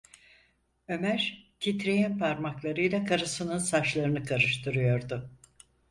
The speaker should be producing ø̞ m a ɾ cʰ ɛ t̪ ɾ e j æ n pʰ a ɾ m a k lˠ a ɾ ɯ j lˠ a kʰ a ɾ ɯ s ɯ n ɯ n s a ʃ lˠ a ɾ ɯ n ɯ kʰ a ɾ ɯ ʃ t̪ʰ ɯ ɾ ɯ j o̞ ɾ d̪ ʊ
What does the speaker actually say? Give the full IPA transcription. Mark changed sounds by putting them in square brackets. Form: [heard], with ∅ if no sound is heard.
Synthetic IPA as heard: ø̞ m [æ] ɾ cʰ [i] t̪ ɾ e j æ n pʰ a ɾ m a k lˠ a ɾ ɯ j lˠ a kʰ a ɾ ɯ s ɯ n ɯ n s a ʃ lˠ a ɾ ɯ n ɯ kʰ a ɾ ɯ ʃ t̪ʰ ɯ ɾ ɯ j o̞ ɾ d̪ ʊ